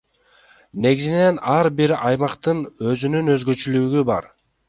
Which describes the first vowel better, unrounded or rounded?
unrounded